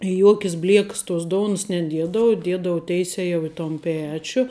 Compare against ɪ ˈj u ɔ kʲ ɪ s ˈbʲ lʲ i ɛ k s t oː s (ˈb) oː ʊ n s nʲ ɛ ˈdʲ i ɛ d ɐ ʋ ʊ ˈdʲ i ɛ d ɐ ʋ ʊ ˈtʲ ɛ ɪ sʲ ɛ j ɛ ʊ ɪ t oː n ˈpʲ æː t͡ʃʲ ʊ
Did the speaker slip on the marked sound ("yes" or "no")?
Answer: yes